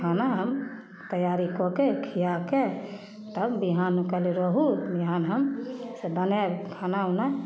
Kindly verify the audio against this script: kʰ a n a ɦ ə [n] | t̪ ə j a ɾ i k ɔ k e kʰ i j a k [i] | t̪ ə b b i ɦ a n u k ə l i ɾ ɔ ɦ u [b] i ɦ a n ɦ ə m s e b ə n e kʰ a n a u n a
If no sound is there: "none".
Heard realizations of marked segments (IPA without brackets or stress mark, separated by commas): m, e, b